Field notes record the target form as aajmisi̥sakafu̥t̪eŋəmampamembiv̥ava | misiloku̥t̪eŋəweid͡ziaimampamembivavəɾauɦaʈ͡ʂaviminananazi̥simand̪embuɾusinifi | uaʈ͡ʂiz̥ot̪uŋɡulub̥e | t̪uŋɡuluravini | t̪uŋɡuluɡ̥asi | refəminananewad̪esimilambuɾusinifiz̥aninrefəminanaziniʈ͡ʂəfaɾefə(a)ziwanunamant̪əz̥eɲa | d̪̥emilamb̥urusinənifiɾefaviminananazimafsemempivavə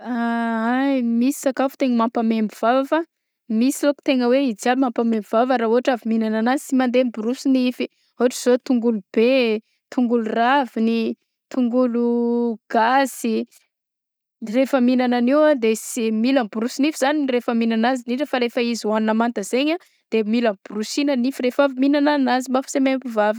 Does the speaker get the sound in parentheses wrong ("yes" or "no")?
yes